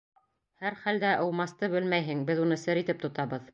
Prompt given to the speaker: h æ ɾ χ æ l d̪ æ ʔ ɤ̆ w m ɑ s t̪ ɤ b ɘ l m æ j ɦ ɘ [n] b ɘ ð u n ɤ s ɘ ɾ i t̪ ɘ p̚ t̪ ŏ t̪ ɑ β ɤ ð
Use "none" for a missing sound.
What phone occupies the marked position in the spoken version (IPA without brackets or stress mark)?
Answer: ŋ